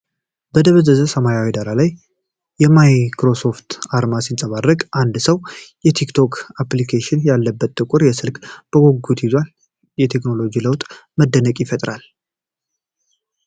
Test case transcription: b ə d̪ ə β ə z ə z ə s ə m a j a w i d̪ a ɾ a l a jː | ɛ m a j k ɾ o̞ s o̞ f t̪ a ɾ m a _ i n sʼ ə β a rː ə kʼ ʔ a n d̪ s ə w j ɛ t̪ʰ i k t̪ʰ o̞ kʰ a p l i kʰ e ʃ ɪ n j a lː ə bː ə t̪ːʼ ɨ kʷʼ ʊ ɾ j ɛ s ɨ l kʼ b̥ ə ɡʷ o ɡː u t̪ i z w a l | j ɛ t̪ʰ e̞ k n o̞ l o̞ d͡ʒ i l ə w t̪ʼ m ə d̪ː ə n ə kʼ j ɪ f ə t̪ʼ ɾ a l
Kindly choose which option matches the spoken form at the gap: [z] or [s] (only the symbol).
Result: s